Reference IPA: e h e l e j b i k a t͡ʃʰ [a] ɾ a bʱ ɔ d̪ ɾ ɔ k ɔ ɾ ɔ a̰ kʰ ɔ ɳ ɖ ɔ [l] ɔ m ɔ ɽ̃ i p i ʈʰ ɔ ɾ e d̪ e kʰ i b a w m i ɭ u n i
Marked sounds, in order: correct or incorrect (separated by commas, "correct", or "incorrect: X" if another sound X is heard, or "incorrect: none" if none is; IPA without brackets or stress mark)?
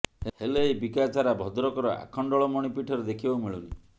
correct, incorrect: ɭ